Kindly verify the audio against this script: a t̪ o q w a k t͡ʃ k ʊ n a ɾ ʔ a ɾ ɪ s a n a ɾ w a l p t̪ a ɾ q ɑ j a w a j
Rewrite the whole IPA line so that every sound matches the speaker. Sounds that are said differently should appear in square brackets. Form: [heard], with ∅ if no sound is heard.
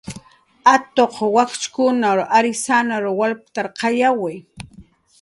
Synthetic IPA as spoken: a t̪ o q w a k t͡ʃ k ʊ n a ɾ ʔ a ɾ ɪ s a n a ɾ w a l p t̪ a ɾ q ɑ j a w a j